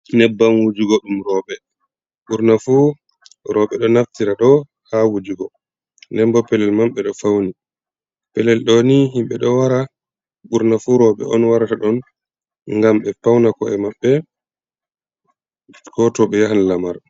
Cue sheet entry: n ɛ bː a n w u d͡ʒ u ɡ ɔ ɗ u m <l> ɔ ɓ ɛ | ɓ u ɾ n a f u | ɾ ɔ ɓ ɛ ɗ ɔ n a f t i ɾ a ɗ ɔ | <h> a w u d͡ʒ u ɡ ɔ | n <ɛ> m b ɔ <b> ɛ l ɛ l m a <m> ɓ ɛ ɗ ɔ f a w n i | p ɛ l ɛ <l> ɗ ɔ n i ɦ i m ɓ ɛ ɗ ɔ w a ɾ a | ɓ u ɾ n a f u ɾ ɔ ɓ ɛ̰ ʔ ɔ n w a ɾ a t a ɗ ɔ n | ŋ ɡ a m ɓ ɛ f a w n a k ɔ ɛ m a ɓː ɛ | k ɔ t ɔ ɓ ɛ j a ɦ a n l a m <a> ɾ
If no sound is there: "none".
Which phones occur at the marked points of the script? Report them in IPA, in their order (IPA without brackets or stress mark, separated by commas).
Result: ɾ, h, ɛ, p, m, l, a